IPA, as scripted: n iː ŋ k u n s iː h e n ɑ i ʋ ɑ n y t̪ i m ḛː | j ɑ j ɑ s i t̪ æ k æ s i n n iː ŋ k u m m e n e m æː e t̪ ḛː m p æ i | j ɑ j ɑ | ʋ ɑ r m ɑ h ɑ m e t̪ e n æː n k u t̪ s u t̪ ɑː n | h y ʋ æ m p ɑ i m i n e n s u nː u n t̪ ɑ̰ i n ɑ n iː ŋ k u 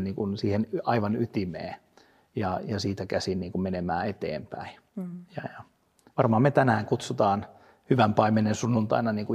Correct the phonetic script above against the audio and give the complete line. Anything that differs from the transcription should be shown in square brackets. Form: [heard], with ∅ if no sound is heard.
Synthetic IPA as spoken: n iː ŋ k u n s iː h e n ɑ i ʋ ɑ n y t̪ i m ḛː | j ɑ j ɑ s [iː] t̪ æ k æ s i n n iː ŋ k u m m e n e m æː e t̪ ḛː m p æ i | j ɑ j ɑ | ʋ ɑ r m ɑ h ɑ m e t̪ [æ] n æː [ŋ] k u t̪ s u t̪ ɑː n | h y ʋ æ m p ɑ i m [e] n e n s u nː u n t̪ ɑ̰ i n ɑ n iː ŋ k u